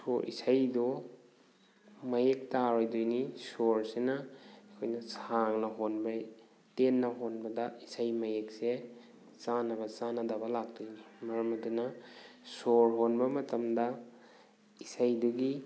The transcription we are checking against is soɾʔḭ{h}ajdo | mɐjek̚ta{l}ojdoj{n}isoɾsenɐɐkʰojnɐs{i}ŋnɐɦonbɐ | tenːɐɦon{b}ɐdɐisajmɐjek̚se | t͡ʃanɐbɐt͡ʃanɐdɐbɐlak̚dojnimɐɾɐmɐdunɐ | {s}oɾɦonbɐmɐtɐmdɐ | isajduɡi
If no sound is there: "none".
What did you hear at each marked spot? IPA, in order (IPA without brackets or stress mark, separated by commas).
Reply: s, ɾ, n, a, b, s